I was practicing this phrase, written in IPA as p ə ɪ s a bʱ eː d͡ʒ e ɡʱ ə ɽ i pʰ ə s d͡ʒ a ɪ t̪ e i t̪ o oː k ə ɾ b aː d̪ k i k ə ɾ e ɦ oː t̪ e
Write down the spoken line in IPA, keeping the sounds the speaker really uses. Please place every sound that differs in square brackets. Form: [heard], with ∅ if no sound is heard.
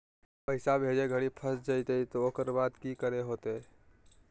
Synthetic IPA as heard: p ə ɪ s a bʱ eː d͡ʒ e ɡʱ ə ɽ i pʰ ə s d͡ʒ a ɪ t̪ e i t̪ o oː k ə ɾ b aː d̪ k i k ə ɾ e ɦ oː t̪ e